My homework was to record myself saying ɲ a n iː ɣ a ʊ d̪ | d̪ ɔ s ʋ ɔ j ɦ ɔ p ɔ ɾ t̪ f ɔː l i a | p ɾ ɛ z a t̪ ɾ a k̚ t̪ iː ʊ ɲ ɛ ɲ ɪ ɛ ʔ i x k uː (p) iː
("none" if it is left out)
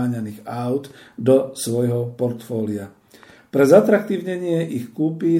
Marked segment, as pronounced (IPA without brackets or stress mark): p